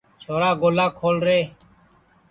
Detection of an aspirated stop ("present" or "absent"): present